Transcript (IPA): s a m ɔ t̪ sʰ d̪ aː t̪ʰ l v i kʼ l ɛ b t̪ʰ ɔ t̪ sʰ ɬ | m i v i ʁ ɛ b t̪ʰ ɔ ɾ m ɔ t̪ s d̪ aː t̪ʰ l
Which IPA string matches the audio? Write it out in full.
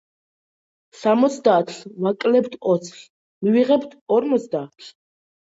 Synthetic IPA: s a m ɔ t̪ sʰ d̪ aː t̪ʰ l v a kʼ l ɛ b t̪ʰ ɔ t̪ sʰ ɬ | m i v i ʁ ɛ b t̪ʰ ɔ ɾ m ɔ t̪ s d̪ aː t̪ʰ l